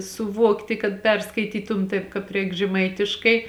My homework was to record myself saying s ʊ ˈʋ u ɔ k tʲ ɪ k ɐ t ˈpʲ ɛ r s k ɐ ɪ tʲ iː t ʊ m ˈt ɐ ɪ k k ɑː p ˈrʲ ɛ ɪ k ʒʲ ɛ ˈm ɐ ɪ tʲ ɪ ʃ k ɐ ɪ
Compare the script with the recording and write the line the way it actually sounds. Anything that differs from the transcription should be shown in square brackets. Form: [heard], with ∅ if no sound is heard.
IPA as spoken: s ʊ ˈʋ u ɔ k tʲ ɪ k ɐ t ˈpʲ ɛ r s k ɐ ɪ tʲ iː t ʊ m ˈt ɐ ɪ [p] k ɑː p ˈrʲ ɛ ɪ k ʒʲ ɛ ˈm ɐ ɪ tʲ ɪ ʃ k ɐ ɪ

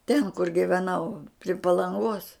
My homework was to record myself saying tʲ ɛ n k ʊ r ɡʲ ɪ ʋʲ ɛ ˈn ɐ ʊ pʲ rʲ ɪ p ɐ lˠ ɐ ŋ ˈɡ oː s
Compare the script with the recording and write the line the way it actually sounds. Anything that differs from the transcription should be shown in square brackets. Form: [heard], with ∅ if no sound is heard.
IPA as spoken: tʲ ɛ n k ʊ r ɡʲ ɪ ʋʲ ɛ ˈn ɐ ʊ pʲ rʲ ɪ p ɐ lˠ ɐ ŋ ˈɡ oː s

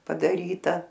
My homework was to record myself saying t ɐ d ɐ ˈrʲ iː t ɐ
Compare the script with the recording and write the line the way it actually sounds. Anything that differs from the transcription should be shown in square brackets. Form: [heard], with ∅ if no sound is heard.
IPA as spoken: [p] ɐ d ɐ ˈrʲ iː t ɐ

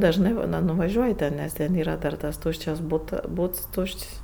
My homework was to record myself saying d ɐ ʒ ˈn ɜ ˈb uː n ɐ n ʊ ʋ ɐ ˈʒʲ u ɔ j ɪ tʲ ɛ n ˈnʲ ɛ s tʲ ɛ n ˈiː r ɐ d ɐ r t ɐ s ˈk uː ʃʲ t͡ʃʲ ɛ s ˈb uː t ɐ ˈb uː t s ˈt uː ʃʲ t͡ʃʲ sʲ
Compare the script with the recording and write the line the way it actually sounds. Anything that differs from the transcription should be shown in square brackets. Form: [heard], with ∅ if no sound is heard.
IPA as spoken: d ɐ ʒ ˈn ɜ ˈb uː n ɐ n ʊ ʋ ɐ ˈʒʲ u ɔ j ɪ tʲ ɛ n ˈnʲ ɛ s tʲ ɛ n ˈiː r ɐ d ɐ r t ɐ s [ˈt] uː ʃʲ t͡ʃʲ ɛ s ˈb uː t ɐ ˈb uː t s ˈt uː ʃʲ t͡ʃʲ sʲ

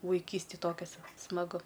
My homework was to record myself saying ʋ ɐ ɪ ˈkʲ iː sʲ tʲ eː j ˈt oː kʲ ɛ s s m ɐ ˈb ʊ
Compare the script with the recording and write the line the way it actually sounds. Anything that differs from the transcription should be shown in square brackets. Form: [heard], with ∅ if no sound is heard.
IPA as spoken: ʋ ɐ ɪ ˈkʲ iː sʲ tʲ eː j ˈt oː kʲ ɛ s s m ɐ [ˈɡ] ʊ

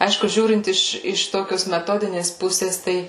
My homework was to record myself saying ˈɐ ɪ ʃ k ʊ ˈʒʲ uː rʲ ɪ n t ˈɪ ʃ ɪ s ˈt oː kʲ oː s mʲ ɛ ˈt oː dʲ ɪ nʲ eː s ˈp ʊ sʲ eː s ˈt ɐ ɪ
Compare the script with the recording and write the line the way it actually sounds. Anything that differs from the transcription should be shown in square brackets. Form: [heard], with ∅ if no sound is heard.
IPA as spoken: ˈɐ ɪ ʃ k ʊ ˈʒʲ uː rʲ ɪ n t ˈɪ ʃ ɪ [ʃ] ˈt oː kʲ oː s mʲ ɛ ˈt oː dʲ ɪ nʲ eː s ˈp ʊ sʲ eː s ˈt ɐ ɪ

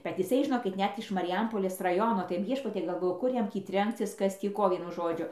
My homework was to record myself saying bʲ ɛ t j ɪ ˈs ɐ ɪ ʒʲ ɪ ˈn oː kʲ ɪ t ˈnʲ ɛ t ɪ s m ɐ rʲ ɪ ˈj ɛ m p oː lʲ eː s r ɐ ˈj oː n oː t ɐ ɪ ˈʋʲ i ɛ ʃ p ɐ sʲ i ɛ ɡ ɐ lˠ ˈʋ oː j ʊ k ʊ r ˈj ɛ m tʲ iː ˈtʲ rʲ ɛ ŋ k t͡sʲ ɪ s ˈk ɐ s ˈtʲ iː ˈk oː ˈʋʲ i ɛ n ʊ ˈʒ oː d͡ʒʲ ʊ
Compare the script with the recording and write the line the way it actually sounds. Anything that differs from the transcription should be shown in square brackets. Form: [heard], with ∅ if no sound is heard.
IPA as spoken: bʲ ɛ t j ɪ ˈs ɐ ɪ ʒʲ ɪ ˈn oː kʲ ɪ t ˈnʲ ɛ t ɪ [ʃ] m ɐ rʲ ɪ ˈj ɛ m p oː lʲ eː s r ɐ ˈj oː n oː t ɐ ɪ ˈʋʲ i ɛ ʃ p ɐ [tʲ] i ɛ ɡ ɐ lˠ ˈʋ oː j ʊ k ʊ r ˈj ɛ m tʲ iː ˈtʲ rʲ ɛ ŋ k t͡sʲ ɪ s ˈk ɐ s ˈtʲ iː ˈk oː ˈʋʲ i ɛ n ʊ ˈʒ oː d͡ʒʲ ʊ

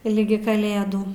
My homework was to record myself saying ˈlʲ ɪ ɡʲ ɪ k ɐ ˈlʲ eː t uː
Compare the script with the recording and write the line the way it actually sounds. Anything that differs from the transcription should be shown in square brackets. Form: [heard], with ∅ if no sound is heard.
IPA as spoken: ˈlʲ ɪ ɡʲ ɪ k ɐ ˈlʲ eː [d] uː

